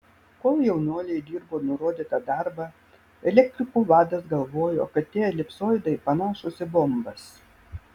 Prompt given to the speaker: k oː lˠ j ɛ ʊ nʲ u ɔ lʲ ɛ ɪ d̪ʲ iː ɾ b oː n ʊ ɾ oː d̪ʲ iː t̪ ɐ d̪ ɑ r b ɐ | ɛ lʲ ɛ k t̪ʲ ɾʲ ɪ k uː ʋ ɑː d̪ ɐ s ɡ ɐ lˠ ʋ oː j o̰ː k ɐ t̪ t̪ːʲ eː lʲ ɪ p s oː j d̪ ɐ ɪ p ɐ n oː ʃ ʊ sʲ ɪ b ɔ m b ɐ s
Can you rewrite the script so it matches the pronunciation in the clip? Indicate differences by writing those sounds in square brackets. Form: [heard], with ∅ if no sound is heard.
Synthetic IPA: k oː lˠ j ɛ ʊ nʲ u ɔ lʲ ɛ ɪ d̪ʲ iː ɾ b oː n ʊ ɾ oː d̪ʲ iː t̪ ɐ d̪ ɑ [ɾ] b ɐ | ɛ lʲ ɛ k t̪ʲ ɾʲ ɪ k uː ʋ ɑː d̪ ɐ s ɡ ɐ lˠ ʋ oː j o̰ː k ɐ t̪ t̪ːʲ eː lʲ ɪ p s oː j d̪ ɐ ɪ p ɐ n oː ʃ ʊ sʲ ɪ b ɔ m b ɐ s